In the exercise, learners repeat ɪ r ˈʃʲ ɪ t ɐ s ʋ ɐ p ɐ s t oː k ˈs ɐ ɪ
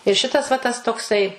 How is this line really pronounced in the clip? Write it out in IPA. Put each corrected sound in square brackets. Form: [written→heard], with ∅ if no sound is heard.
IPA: ɪ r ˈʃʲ ɪ t ɐ s ʋ ɐ [p→t] ɐ s t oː k ˈs ɐ ɪ